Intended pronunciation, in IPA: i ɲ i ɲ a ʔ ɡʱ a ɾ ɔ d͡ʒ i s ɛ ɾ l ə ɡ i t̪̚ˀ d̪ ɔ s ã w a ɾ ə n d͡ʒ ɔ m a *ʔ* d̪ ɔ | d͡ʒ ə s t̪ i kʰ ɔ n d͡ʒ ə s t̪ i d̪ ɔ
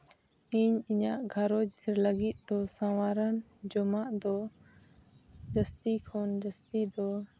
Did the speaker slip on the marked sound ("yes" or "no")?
no